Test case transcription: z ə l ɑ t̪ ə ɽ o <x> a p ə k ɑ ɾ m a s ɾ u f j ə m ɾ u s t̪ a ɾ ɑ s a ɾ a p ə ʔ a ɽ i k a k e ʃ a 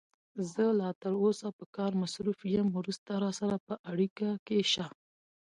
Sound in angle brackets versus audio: incorrect: s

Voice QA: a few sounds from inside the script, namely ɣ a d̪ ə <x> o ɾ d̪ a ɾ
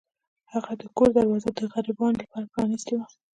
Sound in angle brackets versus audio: incorrect: k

